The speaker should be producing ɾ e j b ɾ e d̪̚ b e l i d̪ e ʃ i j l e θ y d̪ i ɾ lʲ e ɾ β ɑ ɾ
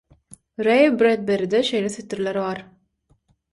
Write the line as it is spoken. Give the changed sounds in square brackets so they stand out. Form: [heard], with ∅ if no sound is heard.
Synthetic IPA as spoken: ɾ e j b ɾ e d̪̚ b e [ɾ] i d̪ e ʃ [e] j l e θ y [t̪] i ɾ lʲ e ɾ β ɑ ɾ